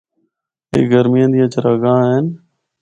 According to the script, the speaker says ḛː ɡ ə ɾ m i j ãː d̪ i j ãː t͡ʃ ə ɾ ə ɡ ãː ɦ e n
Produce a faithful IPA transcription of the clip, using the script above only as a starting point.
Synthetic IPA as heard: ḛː ɡ ə ɾ m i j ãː d̪ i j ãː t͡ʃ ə ɾ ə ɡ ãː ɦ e n